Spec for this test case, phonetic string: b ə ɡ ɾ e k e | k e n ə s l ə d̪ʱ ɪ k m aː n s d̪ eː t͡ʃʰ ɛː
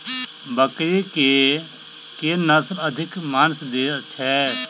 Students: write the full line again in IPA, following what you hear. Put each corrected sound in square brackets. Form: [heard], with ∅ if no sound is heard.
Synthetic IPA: b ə [k] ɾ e k e | k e n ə s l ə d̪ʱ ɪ k m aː n s d̪ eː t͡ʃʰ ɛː